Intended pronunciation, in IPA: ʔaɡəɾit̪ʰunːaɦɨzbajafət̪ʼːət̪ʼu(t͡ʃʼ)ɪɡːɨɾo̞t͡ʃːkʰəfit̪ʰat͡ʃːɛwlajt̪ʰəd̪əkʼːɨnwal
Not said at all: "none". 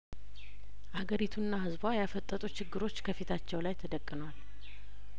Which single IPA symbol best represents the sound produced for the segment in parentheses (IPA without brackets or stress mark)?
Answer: t͡ʃ